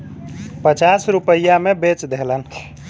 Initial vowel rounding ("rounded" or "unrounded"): unrounded